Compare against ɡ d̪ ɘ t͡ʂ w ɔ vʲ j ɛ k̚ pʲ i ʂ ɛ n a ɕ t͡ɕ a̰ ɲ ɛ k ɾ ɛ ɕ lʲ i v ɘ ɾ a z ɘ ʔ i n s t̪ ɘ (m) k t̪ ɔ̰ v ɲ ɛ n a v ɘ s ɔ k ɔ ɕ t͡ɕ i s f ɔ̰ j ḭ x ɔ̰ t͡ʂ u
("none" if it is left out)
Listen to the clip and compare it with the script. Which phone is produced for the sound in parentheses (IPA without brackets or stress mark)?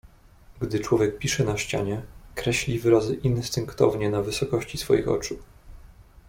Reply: ŋ